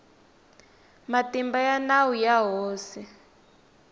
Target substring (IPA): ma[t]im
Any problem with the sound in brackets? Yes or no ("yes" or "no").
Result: no